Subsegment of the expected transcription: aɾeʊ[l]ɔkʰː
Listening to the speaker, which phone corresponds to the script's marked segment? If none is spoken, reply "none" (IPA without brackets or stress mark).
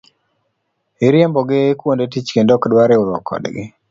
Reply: ɾ